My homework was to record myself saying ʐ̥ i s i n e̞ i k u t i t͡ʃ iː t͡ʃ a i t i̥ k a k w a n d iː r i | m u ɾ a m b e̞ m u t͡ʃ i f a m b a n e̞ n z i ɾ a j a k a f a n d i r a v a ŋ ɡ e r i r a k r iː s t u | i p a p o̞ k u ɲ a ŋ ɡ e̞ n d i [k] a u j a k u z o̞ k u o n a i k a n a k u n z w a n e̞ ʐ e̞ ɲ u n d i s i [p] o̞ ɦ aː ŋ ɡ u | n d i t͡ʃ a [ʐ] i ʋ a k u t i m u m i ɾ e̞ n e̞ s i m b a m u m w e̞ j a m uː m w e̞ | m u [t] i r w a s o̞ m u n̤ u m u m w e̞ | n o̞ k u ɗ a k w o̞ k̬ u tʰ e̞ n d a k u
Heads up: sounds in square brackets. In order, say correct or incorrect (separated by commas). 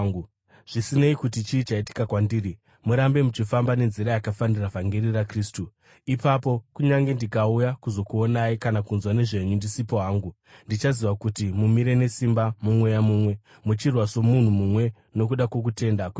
correct, correct, incorrect, incorrect